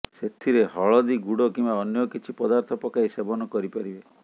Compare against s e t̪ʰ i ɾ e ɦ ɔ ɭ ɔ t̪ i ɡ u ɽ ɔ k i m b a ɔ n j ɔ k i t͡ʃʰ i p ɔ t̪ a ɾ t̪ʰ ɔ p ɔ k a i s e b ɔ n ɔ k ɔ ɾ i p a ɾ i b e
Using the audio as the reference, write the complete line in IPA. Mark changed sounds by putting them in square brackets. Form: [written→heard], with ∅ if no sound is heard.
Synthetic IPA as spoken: s e t̪ʰ i ɾ e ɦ ɔ ɭ ɔ [t̪→d̪] i ɡ u ɽ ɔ k i m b a ɔ n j ɔ k i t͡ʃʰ i p ɔ [t̪→d̪] a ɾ t̪ʰ ɔ p ɔ k a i s e b ɔ n ɔ k ɔ ɾ i p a ɾ i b e